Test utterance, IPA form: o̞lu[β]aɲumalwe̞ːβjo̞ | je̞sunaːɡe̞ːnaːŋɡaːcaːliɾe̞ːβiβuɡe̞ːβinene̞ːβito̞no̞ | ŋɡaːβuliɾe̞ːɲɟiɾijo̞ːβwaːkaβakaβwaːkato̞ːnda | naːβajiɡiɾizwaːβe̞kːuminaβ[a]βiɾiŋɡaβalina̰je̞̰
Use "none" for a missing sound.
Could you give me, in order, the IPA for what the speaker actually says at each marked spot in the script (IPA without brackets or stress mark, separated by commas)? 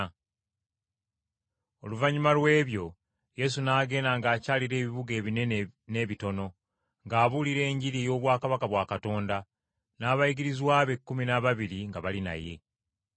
v, a